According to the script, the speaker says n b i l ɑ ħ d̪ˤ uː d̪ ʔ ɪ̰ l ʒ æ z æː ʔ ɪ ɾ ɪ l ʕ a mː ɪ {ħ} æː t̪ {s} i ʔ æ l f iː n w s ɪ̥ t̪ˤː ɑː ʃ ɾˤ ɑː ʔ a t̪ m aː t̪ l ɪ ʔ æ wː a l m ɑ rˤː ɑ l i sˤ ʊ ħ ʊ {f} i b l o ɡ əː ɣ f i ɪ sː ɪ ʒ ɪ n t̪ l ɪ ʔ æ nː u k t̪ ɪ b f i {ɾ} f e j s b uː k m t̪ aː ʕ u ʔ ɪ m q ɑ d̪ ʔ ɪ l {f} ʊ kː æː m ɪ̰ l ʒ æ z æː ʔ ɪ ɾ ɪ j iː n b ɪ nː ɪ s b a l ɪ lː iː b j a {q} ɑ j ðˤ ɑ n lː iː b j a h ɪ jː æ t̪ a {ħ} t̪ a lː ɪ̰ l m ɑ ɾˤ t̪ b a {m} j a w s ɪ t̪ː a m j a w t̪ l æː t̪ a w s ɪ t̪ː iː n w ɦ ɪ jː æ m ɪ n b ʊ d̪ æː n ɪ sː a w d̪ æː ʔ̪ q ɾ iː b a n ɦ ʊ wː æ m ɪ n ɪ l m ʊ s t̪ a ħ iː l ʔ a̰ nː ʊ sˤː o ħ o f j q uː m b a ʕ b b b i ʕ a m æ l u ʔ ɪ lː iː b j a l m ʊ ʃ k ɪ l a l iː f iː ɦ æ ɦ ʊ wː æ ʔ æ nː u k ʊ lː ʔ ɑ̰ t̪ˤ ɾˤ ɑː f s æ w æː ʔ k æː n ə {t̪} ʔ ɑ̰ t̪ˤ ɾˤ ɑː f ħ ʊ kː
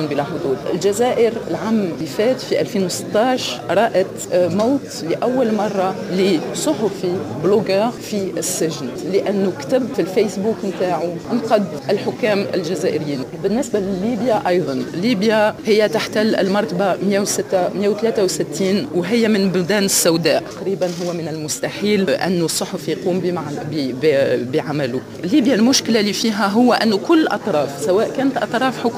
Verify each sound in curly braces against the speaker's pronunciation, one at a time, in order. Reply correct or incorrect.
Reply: incorrect, incorrect, correct, incorrect, incorrect, incorrect, correct, correct, correct

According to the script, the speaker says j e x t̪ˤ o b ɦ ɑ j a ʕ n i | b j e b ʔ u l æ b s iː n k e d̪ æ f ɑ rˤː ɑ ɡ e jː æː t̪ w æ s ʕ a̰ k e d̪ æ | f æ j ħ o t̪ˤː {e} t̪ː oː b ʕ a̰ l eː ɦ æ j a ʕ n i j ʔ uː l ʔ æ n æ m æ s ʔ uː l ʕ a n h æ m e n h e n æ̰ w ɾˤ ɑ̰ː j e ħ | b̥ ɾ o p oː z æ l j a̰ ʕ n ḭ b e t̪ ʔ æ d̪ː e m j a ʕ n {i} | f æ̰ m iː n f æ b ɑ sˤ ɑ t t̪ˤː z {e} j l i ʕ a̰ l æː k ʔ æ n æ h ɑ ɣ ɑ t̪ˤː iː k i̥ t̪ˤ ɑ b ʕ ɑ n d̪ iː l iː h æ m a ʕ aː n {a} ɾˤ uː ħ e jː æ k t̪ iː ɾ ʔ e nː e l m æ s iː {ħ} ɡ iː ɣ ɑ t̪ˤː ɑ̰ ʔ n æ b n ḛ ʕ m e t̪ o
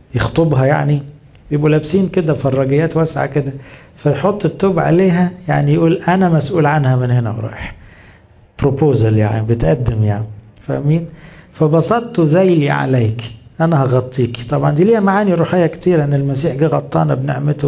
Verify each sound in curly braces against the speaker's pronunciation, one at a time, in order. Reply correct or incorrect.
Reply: correct, correct, incorrect, incorrect, correct

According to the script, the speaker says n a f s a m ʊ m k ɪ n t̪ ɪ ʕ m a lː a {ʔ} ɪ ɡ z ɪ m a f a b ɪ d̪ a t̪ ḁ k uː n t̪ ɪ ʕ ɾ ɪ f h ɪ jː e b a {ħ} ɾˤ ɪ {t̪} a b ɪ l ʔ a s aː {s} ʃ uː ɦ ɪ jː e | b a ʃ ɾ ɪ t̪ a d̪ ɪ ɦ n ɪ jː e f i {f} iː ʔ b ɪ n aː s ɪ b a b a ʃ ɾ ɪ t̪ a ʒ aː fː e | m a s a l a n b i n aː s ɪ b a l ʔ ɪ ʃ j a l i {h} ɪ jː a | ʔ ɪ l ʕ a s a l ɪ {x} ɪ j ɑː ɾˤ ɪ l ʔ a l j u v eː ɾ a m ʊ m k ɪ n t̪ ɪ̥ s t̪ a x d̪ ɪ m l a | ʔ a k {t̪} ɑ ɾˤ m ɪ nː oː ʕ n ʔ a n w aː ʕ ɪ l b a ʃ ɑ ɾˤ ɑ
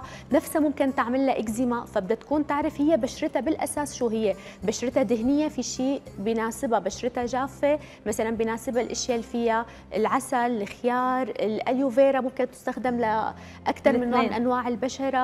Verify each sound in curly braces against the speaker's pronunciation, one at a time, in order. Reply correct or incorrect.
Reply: correct, incorrect, correct, correct, incorrect, incorrect, correct, correct

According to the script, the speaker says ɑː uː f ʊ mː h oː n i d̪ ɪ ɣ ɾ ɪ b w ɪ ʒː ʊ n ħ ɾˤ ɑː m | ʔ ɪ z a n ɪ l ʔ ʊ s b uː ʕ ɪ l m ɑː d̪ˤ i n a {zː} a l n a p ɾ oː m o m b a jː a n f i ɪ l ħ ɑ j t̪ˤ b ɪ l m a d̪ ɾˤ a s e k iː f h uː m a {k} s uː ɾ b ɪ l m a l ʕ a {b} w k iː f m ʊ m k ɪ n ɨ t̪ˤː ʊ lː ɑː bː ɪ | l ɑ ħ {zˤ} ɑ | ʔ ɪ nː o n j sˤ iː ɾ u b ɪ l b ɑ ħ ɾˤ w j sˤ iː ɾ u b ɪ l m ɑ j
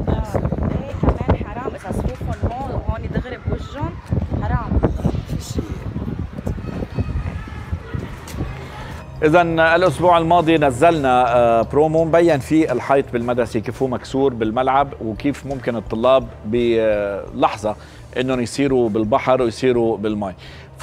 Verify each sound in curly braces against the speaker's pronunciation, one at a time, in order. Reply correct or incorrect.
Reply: correct, correct, correct, correct

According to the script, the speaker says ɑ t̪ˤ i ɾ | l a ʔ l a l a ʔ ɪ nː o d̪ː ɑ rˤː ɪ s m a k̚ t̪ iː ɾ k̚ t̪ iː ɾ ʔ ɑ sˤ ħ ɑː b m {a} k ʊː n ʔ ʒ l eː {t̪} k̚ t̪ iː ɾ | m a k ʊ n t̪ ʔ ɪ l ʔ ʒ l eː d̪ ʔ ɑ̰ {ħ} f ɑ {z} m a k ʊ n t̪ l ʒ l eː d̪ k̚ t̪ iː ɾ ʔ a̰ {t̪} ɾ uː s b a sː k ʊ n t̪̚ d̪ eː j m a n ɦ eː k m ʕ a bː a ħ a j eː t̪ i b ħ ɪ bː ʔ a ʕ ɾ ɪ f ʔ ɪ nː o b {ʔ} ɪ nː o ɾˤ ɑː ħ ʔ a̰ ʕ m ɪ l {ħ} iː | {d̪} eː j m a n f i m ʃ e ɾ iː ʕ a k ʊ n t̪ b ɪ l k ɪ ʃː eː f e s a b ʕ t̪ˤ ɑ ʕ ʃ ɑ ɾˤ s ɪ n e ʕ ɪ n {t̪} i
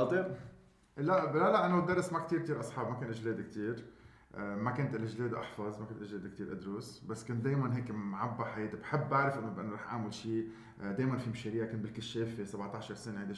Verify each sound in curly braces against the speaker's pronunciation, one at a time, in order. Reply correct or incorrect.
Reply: correct, incorrect, correct, correct, incorrect, correct, incorrect, correct, incorrect

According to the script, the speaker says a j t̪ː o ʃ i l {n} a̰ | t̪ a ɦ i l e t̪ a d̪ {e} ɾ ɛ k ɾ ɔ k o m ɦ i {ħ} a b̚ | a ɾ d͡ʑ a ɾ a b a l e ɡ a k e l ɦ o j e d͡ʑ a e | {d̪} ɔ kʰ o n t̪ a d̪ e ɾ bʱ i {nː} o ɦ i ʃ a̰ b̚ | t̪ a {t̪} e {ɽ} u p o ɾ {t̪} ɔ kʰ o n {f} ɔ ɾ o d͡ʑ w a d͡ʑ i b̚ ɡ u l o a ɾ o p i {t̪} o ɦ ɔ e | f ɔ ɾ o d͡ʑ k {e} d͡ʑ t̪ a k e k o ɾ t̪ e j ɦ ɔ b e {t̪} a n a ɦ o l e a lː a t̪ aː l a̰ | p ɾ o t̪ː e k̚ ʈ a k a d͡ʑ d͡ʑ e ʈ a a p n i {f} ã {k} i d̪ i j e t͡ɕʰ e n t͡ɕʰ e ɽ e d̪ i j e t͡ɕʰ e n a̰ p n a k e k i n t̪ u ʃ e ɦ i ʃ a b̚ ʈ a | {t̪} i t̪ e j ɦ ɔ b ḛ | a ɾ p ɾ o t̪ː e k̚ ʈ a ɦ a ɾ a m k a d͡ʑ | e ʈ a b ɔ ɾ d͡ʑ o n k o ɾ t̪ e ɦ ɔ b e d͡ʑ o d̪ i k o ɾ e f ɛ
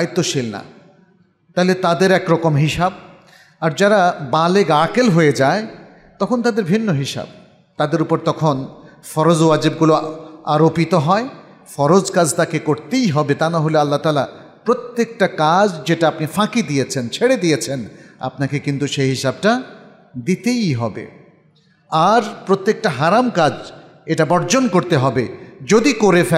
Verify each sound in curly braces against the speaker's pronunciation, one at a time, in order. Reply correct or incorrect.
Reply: correct, correct, incorrect, incorrect, correct, incorrect, incorrect, correct, correct, correct, incorrect, correct, correct, correct, incorrect

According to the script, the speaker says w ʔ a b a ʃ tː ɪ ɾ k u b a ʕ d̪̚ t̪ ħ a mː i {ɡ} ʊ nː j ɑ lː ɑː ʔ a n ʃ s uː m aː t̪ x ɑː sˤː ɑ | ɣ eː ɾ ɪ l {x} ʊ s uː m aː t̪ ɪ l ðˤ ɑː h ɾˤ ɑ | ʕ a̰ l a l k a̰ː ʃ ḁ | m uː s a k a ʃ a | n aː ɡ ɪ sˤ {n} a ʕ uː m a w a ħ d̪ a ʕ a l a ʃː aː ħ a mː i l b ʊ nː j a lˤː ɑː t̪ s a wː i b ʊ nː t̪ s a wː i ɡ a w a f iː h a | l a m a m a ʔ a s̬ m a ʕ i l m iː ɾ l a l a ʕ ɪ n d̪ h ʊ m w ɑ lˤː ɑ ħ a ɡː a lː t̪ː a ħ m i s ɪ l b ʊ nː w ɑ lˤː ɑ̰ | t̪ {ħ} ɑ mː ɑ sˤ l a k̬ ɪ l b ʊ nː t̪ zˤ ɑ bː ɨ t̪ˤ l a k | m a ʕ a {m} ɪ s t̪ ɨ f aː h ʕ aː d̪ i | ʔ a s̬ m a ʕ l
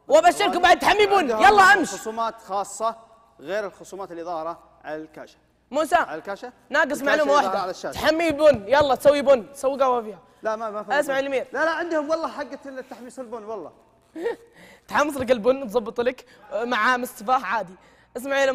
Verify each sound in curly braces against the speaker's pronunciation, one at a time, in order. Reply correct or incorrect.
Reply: incorrect, correct, incorrect, correct, correct

